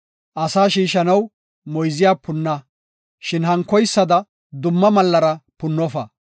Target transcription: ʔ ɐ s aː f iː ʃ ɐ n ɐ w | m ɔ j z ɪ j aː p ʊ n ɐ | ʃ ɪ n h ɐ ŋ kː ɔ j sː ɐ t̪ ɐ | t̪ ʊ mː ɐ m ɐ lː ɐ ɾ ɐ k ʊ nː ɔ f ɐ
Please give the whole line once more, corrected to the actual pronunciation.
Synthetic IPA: ʔ ɐ s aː ʃ iː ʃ ɐ n ɐ w | m ɔ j z ɪ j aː p ʊ nː ɐ | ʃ ɪ n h ɐ ŋ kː ɔ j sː ɐ d̪ ɐ | d̪ ʊ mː ɐ m ɐ lː ɐ ɾ ɐ p ʊ nː ɔ f ɐ